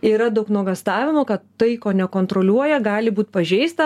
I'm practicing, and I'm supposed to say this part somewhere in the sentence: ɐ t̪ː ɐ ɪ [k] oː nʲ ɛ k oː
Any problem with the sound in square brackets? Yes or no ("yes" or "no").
no